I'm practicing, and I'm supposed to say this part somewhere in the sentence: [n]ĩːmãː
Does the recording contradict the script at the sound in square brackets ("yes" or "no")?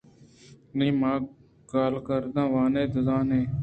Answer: no